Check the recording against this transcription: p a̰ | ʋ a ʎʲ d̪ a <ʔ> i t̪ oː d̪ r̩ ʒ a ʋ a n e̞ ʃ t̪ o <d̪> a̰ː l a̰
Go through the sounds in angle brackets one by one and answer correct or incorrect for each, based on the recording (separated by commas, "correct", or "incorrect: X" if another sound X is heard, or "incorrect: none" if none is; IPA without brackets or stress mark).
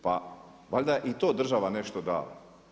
correct, correct